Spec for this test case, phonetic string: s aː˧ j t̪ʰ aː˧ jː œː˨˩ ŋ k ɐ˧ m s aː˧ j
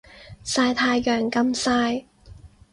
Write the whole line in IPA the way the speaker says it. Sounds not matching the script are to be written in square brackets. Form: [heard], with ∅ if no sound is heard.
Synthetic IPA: s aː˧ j t̪ʰ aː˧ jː œː˨˩ ŋ k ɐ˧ m s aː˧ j